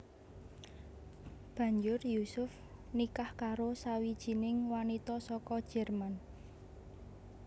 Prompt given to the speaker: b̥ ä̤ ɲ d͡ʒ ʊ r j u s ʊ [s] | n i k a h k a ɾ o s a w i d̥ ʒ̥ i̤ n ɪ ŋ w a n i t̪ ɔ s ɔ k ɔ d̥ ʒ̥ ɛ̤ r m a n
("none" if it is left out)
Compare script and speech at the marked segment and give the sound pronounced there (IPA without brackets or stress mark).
f